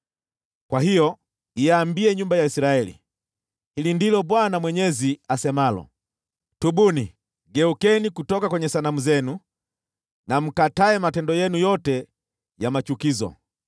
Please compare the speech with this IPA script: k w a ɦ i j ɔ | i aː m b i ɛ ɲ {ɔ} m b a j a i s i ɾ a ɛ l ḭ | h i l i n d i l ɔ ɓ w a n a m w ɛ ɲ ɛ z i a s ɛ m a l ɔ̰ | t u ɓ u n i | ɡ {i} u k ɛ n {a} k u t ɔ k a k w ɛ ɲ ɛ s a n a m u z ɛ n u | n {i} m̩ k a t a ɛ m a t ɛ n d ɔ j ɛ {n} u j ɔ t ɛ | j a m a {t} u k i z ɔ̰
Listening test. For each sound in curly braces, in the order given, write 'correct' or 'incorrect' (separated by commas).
incorrect, incorrect, incorrect, incorrect, correct, incorrect